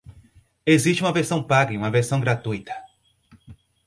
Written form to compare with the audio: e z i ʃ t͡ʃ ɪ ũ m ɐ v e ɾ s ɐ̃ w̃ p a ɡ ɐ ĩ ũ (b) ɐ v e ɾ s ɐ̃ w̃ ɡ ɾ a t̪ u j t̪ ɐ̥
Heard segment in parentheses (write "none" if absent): m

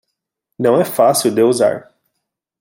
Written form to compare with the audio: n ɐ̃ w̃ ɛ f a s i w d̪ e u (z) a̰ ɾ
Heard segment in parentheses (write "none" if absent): z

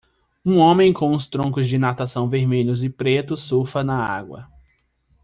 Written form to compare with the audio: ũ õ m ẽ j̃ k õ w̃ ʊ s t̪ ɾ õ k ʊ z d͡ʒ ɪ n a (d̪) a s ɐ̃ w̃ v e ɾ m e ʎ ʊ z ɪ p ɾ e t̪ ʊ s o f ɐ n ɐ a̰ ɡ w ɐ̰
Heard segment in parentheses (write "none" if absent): t̪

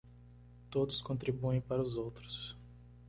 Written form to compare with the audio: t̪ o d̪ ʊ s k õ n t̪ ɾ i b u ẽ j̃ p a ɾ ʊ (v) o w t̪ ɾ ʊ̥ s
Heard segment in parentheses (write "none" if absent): z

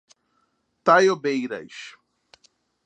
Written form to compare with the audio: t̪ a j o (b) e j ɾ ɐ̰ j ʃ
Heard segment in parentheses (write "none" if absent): b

